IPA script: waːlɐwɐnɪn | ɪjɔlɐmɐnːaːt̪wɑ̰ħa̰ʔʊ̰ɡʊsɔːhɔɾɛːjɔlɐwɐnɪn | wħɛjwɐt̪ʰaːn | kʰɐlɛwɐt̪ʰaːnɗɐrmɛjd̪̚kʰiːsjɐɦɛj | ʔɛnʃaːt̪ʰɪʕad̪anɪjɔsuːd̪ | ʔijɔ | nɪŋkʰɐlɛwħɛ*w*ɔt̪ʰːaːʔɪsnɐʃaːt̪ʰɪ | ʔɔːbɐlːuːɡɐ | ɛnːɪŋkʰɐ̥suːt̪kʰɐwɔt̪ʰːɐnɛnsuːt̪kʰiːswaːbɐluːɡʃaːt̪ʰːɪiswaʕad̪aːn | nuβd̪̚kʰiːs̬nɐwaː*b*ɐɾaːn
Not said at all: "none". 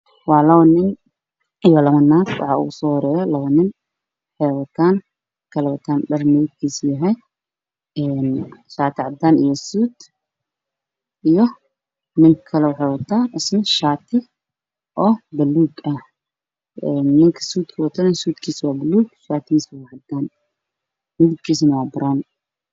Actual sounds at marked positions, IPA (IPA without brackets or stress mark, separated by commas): w, b